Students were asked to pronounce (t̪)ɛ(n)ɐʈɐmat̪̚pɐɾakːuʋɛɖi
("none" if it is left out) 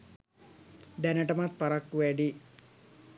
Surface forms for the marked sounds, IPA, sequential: d̪, n

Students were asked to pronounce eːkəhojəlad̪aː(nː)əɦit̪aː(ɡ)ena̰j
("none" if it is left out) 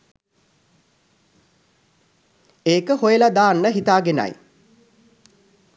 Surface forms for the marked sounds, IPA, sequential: nː, ɡ

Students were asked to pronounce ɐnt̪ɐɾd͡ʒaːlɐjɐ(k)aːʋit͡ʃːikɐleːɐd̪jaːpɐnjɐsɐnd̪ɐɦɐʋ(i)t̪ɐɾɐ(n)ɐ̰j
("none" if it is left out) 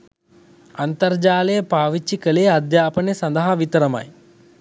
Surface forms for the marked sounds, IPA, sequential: p, i, m

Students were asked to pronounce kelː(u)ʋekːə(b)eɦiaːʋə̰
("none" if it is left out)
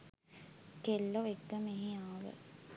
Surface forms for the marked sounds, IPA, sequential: o, m

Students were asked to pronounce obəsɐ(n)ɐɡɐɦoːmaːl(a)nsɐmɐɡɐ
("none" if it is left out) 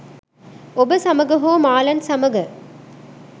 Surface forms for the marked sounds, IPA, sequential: m, ɐ

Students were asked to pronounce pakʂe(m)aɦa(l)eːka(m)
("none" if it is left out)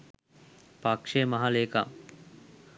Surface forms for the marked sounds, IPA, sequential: m, l, m

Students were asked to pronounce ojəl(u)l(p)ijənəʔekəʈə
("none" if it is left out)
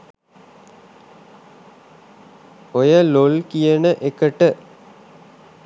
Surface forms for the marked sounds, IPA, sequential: o, k

